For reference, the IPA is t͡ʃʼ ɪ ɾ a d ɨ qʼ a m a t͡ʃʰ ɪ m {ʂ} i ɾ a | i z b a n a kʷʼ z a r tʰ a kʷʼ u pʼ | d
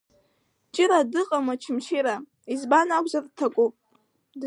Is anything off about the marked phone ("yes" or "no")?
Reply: yes